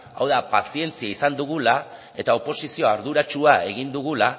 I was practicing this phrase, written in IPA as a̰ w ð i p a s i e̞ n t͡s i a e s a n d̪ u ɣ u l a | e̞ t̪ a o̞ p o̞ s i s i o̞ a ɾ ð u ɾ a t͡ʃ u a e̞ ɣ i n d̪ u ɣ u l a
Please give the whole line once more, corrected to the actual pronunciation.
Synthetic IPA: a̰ w ð a p a s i e̞ n t͡s i a i s a n d̪ u ɣ u l a | e̞ t̪ a o̞ p o̞ s i s i o̞ a ɾ ð u ɾ a t͡ʃ u a e̞ ɣ i n d̪ u ɣ u l a